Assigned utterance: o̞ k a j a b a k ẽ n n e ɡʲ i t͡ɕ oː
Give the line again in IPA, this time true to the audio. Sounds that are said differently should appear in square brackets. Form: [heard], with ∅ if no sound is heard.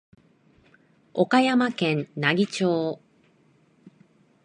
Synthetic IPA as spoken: o̞ k a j a [m] a k ẽ n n [a] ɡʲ i t͡ɕ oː